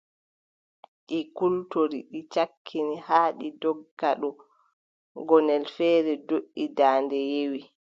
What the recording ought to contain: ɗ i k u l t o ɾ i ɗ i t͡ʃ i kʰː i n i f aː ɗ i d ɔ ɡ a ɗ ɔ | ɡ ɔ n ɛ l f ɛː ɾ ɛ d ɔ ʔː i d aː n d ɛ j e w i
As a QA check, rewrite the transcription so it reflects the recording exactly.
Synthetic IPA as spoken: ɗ i k u l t o ɾ i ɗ i t͡ʃ a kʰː i n i h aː ɗ i d ɔ ɡ a ɗ ɔ | ɡ ɔ n ɛ l f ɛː ɾ ɛ d o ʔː i d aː n d ɛ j e w i